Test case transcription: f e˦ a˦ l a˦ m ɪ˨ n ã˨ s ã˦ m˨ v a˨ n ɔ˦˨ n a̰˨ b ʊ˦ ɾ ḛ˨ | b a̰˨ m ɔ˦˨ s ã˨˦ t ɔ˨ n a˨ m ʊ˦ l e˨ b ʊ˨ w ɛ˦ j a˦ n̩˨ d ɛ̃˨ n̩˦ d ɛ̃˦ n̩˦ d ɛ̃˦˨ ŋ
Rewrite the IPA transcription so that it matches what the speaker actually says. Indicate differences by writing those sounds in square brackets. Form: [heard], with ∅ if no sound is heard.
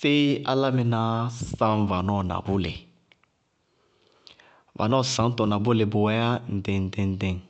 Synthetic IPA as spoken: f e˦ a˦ l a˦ m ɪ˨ n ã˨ s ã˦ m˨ v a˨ n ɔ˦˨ n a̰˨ b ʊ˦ [l] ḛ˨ | [v] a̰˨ [n] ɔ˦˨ s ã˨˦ t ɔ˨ n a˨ [b] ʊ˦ l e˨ b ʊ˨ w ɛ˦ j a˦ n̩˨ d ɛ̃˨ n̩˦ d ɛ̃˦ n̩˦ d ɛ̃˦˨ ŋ

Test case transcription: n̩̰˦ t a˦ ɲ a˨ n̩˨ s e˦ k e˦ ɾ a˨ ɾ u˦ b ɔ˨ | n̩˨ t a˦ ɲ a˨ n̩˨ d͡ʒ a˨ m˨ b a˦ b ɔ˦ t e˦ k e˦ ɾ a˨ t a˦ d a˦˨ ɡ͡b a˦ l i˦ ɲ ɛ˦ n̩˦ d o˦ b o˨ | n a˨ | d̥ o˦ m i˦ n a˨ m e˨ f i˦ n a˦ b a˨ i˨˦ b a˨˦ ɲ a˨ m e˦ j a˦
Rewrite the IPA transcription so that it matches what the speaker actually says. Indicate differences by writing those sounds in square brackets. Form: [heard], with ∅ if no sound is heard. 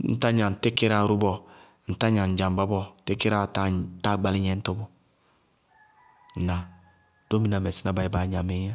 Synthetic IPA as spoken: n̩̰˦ t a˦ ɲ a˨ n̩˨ [t] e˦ k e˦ ɾ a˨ ɾ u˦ b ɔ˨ | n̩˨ t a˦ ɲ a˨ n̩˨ d͡ʒ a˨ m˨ b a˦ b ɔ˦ t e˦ k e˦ ɾ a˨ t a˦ [t] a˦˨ ɡ͡b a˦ l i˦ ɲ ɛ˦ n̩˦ [t] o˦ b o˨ | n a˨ | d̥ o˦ m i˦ n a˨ m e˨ [s] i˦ n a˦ b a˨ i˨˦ b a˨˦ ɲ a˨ m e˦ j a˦

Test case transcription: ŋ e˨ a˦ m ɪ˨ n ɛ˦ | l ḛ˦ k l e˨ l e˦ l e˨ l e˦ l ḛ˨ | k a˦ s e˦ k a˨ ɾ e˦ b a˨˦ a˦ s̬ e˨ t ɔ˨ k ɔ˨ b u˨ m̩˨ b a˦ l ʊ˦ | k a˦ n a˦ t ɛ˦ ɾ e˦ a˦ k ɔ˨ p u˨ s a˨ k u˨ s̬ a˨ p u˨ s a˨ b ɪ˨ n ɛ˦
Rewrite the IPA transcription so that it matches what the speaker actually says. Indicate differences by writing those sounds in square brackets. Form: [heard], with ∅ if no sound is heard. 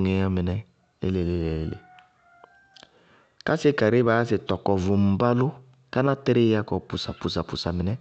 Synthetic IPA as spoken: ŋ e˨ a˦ m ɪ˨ n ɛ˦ | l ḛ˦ [∅] l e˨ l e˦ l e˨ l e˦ l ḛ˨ | k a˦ s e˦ k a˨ ɾ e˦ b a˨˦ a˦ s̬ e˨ t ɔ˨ k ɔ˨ [v] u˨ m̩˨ b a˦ l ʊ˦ | k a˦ n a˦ t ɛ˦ ɾ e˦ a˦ k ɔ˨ p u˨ s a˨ [p] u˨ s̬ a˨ p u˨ s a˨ [m] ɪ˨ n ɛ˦

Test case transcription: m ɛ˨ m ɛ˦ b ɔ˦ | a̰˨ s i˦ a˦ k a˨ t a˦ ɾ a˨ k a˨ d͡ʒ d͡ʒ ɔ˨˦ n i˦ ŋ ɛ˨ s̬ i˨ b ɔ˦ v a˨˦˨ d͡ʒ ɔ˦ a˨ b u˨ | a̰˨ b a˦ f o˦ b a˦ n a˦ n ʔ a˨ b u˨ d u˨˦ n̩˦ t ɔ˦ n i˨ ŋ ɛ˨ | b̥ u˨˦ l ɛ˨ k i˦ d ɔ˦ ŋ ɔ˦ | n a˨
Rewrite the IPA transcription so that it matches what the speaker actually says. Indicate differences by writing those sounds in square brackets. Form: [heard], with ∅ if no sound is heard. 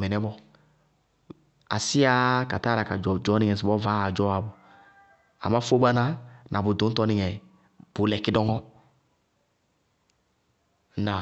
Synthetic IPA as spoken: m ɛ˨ [n] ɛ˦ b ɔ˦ | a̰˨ s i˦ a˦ k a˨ t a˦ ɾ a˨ k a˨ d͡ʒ d͡ʒ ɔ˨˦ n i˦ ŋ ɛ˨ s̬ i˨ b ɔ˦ v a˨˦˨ d͡ʒ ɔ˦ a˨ b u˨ | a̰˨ [m] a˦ f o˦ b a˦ n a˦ n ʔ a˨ b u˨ d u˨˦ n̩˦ t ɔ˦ n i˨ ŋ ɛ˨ | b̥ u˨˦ l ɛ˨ k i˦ d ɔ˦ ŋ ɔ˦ | n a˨

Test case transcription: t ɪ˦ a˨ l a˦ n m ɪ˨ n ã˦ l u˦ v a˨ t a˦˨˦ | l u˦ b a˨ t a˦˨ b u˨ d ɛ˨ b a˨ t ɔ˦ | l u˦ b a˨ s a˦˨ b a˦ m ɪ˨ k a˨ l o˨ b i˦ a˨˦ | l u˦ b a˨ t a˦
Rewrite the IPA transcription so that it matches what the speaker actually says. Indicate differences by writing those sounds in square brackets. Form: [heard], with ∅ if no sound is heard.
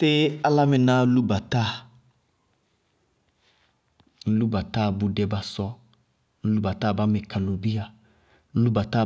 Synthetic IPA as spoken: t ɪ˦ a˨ l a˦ [∅] m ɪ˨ n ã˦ l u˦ [b] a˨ t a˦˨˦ | l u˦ b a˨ t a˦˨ b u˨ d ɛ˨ b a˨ [s] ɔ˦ | l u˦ b a˨ [t] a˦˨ b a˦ m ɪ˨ k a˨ l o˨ b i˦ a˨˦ | l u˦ b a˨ t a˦

